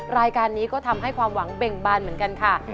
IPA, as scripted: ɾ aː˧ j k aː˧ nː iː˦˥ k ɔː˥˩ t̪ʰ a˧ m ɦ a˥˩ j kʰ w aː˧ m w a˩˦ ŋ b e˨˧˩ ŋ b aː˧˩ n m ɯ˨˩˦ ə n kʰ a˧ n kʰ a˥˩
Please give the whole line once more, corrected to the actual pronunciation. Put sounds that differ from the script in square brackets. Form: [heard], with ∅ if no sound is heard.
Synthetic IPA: ɾ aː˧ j k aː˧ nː iː˦˥ k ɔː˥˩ t̪ʰ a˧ m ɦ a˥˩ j kʰ w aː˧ m w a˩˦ ŋ b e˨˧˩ ŋ b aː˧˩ n m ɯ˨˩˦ ə n [k] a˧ n kʰ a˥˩